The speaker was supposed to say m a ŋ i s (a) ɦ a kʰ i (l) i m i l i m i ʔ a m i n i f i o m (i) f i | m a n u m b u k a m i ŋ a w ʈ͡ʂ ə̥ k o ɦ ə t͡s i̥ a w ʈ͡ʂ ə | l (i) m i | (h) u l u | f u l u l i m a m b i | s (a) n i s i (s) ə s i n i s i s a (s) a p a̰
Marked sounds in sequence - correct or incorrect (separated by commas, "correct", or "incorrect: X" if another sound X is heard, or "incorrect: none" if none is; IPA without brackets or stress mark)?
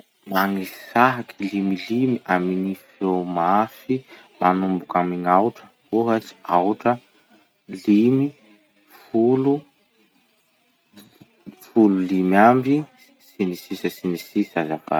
correct, correct, incorrect: a, correct, incorrect: f, incorrect: i, correct, incorrect: z